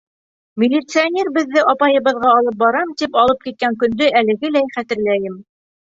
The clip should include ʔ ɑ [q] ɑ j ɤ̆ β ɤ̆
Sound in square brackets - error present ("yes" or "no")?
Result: yes